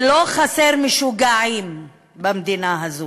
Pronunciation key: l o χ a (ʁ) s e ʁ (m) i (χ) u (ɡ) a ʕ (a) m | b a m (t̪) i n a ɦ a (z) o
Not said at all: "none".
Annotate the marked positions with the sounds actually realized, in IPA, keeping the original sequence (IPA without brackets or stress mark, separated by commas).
none, m, ʃ, ɡ, i, d̪, z